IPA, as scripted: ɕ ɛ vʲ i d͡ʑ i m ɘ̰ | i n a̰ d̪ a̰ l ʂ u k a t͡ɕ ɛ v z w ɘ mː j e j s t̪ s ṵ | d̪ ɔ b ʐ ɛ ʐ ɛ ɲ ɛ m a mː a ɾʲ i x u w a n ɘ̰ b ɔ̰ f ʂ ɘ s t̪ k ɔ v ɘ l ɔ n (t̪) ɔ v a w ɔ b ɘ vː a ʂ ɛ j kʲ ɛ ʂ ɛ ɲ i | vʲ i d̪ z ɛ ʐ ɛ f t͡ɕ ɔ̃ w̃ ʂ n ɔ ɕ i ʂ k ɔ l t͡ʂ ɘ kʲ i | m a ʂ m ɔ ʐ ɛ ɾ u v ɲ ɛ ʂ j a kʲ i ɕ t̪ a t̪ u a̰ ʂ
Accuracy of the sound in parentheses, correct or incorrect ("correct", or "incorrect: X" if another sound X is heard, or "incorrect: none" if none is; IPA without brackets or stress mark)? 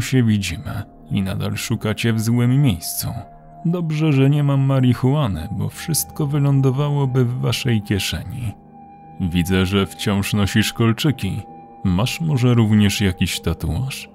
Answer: incorrect: d̪